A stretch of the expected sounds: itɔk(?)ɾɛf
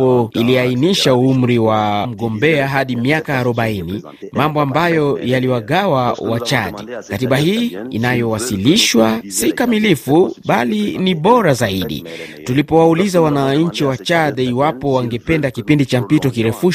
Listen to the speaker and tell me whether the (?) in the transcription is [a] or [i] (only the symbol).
i